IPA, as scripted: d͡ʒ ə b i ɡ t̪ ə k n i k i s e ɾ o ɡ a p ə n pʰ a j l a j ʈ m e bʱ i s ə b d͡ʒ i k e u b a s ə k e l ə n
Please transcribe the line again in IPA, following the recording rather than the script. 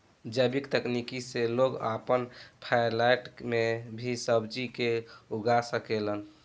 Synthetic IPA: d͡ʒ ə b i k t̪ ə k n i k i s e l o ɡ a p ə n pʰ a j l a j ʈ m e bʱ i s ə b d͡ʒ i k e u ɡ a s ə k e l ə n